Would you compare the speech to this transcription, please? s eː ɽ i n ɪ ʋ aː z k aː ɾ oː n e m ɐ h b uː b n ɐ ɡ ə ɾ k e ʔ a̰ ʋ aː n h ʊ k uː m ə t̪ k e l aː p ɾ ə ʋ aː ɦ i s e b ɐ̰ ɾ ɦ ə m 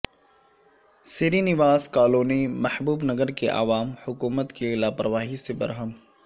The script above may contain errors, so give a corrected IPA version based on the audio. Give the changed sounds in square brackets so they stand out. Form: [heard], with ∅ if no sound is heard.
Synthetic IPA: s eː [ɾ] i n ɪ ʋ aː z k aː [l] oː n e m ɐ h b uː b n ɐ ɡ ə ɾ k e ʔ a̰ ʋ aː [m] h ʊ k uː m ə t̪ k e l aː p ɾ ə ʋ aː ɦ i s e b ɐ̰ ɾ ɦ ə m